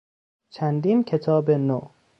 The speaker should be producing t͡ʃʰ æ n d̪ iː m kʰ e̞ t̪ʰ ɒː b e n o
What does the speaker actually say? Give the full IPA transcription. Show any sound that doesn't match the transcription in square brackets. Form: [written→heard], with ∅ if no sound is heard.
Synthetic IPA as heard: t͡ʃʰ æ n d̪ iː [m→n] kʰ e̞ t̪ʰ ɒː b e n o